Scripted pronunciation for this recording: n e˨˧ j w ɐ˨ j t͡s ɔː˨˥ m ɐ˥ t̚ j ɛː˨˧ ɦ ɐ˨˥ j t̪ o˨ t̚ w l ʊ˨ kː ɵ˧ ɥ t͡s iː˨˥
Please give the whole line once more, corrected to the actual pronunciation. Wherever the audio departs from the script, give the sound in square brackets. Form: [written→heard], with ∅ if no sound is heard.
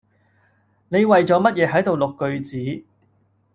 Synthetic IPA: n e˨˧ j w ɐ˨ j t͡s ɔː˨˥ m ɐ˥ t̚ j ɛː˨˧ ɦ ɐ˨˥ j t̪ o˨ [t̚→∅] w l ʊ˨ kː ɵ˧ ɥ t͡s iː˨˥

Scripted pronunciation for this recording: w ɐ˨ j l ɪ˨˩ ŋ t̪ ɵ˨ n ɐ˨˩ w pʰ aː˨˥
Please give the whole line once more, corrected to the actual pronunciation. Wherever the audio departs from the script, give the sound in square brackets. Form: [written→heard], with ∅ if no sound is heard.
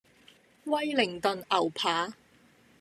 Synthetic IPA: w [ɐ˨→ɐ˥] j l ɪ˨˩ ŋ t̪ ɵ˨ n ɐ˨˩ w pʰ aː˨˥

